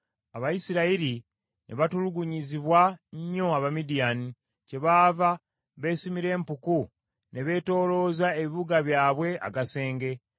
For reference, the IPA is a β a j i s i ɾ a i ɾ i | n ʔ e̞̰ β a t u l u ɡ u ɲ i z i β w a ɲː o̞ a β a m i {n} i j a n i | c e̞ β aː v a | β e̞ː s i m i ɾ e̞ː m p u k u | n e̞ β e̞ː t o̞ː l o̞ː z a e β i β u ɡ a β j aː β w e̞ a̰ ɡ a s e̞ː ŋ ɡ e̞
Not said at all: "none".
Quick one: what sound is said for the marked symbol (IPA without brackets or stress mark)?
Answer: d